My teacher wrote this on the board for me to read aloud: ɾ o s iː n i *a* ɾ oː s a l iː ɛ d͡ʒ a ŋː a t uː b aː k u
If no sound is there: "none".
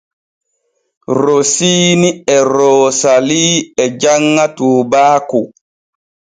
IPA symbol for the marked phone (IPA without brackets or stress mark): ɛ